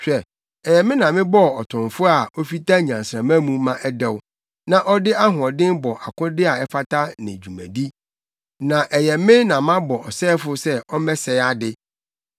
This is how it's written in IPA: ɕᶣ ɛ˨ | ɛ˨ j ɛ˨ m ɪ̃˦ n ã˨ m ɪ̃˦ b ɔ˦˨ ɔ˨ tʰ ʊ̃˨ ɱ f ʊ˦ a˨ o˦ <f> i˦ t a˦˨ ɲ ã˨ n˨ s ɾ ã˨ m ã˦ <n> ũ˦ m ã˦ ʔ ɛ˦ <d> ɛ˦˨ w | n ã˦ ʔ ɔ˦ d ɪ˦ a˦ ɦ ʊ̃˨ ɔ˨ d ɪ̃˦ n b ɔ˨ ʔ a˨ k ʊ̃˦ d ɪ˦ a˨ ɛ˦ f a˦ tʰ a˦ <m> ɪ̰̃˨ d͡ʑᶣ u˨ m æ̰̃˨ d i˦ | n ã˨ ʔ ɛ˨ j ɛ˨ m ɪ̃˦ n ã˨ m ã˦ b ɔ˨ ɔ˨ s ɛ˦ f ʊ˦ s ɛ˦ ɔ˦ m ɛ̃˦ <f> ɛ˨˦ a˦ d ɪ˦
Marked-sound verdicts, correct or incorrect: correct, incorrect: m, correct, incorrect: n, incorrect: s

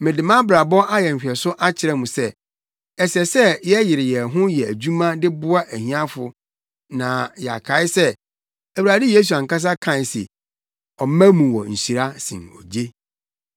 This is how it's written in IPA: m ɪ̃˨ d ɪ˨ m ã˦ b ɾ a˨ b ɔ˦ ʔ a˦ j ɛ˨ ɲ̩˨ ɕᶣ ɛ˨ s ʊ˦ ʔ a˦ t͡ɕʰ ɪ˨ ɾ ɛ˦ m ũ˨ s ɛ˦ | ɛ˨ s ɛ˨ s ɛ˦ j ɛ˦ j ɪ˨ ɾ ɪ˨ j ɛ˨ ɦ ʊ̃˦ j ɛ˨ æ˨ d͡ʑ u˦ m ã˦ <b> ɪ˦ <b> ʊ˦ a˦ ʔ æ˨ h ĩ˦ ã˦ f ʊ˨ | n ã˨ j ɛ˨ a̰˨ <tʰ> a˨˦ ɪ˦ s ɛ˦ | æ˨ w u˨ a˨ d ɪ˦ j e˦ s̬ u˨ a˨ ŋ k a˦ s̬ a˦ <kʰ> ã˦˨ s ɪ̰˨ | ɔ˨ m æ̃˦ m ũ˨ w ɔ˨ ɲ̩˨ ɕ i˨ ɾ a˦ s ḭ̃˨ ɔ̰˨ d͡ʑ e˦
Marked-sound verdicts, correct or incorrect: incorrect: d, correct, incorrect: kʰ, correct

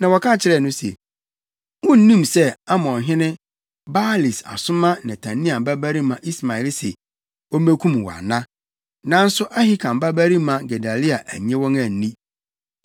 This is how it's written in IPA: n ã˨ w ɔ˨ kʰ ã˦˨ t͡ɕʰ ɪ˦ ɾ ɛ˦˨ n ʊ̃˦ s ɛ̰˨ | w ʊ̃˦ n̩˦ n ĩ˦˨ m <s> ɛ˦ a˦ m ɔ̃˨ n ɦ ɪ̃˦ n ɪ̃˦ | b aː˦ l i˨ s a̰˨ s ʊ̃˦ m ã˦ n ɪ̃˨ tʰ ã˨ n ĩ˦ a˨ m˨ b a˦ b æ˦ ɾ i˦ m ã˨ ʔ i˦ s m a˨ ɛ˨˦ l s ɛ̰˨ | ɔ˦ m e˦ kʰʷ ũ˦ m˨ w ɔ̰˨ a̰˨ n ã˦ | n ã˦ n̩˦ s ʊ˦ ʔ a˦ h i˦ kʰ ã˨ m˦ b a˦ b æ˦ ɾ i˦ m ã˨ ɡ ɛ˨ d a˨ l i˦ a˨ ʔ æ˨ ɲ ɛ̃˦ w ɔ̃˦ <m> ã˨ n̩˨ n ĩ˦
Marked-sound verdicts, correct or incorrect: correct, incorrect: ŋ

